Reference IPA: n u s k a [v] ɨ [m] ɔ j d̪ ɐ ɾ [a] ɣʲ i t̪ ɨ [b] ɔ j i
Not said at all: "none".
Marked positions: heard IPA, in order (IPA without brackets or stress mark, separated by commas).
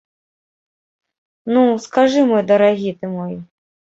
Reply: ʐ, m, a, m